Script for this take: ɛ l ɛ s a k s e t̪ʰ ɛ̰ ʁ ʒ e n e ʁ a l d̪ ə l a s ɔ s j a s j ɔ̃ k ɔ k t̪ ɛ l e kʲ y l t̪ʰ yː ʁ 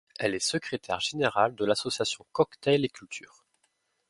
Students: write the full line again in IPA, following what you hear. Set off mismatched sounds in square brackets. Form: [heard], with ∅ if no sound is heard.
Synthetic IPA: ɛ l ɛ s [ə] k [χ] e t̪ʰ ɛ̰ ʁ ʒ e n e ʁ a l d̪ ə l a s ɔ s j a s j ɔ̃ k ɔ k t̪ ɛ l e kʲ y l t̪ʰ yː ʁ